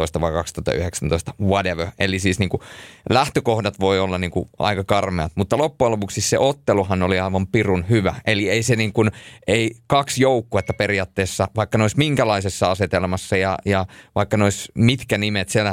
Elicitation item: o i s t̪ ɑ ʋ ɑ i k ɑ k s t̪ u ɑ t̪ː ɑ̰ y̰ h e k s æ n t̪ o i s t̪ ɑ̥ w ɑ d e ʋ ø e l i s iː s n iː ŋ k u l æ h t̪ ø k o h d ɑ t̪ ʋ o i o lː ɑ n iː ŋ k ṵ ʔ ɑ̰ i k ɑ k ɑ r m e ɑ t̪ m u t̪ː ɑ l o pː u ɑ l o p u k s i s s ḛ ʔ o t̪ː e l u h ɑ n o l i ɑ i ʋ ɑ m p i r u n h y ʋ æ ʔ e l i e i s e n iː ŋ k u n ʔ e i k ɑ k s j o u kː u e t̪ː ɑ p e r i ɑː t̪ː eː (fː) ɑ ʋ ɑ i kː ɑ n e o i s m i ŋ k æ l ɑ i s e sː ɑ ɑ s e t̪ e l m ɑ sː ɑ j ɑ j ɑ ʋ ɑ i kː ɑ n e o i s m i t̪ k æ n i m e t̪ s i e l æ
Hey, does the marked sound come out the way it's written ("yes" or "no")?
no